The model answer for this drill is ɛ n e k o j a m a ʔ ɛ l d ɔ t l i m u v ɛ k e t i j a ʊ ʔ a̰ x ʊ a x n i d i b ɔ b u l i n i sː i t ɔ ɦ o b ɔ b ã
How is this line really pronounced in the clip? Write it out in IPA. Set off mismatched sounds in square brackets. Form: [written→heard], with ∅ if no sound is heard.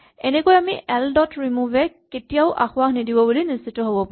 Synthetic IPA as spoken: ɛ n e k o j a m [a→i] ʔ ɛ l d ɔ t [l→ɹ] i m u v ɛ k e t i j a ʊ ʔ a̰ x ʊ a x n i d i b ɔ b u l i n i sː i t ɔ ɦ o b ɔ [b→p] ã